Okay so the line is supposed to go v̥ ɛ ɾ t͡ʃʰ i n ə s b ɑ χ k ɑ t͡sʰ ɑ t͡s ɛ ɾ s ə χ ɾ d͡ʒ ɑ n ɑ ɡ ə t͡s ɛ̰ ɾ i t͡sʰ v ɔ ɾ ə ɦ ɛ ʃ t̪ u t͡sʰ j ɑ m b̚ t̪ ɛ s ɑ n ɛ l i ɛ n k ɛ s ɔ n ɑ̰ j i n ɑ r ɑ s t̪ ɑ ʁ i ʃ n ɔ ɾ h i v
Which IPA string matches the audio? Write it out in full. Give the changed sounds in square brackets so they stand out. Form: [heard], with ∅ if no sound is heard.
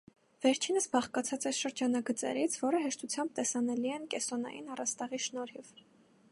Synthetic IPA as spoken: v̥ ɛ ɾ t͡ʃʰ i n ə s b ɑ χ k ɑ t͡sʰ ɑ t͡s ɛ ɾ [ʃ] ə [∅] ɾ d͡ʒ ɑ n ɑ ɡ ə t͡s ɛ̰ ɾ i t͡sʰ v ɔ ɾ ə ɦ ɛ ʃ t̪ u t͡sʰ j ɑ m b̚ t̪ ɛ s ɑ n ɛ l i ɛ n k ɛ s ɔ n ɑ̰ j i n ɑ r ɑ s t̪ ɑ ʁ i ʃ n ɔ ɾ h i v